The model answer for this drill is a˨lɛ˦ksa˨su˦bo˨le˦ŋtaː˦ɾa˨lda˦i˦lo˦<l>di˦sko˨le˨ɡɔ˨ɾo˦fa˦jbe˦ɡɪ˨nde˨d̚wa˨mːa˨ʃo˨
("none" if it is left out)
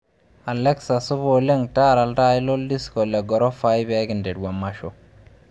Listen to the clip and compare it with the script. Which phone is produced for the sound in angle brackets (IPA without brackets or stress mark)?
l